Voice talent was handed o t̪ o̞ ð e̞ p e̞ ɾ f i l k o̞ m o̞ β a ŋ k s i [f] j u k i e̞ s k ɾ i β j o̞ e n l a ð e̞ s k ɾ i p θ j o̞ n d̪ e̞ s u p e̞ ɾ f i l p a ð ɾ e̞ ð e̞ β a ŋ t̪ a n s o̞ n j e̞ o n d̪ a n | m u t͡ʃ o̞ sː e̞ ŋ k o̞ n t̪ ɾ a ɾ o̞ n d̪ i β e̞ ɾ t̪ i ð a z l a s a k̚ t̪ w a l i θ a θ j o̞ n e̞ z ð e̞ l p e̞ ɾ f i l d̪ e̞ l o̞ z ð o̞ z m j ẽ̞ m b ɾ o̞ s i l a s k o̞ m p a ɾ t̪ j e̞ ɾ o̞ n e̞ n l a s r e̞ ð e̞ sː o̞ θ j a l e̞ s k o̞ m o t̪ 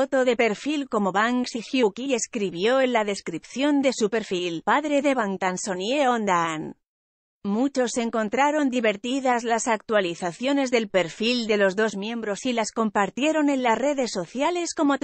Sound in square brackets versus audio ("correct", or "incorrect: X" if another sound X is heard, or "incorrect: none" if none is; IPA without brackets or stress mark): incorrect: x